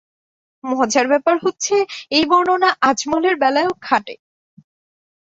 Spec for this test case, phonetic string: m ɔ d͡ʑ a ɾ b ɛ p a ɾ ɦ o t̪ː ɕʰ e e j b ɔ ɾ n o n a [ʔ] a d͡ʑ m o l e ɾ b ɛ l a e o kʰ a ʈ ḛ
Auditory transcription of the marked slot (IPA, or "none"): ʔ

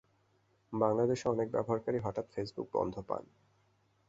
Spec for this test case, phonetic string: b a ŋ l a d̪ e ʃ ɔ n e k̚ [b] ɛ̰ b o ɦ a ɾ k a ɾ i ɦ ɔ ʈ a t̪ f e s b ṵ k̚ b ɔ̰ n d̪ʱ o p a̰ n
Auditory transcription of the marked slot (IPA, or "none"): b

